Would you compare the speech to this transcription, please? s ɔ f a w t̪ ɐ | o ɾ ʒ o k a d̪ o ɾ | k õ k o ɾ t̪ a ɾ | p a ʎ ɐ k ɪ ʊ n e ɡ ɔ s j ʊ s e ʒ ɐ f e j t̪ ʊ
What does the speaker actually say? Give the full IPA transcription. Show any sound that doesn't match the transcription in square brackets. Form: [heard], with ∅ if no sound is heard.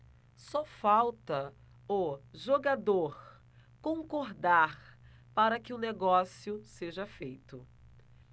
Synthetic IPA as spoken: s ɔ f a w t̪ ɐ | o [∅] ʒ o [ɡ] a d̪ o ɾ | k õ k o ɾ [d̪] a ɾ | p a [ɾ] ɐ k ɪ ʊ n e ɡ ɔ s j ʊ s e ʒ ɐ f e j t̪ ʊ